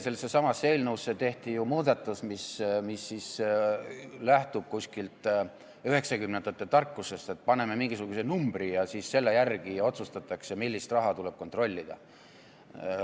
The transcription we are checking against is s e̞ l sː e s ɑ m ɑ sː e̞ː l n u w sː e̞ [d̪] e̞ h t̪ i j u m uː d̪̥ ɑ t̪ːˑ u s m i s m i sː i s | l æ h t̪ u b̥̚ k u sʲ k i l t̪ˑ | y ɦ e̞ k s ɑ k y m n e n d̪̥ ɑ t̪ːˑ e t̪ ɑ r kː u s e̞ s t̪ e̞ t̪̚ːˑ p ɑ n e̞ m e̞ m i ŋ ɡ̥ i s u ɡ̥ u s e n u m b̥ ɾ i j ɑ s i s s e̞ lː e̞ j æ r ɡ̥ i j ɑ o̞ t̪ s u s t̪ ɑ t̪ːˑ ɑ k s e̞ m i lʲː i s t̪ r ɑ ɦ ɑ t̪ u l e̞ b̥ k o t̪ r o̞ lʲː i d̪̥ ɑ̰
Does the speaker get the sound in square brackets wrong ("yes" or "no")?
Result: yes